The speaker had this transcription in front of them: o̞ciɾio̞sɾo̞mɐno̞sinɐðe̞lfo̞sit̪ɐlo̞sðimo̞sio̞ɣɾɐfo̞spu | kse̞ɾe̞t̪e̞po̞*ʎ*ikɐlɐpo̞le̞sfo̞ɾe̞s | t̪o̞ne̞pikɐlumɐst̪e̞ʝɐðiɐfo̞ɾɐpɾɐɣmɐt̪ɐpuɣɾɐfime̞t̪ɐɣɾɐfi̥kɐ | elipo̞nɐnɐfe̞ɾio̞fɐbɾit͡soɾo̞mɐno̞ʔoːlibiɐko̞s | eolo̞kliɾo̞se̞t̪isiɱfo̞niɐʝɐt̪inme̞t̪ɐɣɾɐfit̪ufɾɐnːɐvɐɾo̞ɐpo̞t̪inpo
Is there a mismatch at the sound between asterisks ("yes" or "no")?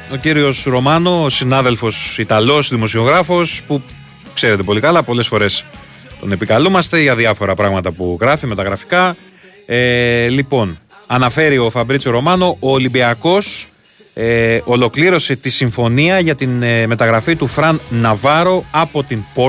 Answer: yes